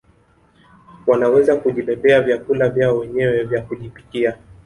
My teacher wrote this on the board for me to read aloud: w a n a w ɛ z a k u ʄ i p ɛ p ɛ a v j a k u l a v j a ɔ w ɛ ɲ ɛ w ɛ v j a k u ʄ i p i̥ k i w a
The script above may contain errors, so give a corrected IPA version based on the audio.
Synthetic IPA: w a n a w ɛ z a k u ʄ i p ɛ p ɛ a v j a k u l a v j a ɔ w ɛ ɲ ɛ w ɛ v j a k u ʄ i p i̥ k i a